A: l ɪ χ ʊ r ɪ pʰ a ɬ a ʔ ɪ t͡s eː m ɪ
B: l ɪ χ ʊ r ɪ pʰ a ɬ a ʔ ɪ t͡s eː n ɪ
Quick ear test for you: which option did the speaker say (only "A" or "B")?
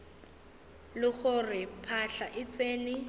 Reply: B